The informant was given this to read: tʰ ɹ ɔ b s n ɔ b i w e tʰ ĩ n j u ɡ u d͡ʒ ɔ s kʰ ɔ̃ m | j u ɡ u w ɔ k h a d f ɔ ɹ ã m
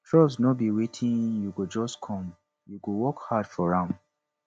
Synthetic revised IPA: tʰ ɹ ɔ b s n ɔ b i w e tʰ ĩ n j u ɡ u d͡ʒ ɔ s kʰ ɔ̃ m | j u ɡ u w ɔ k h a d f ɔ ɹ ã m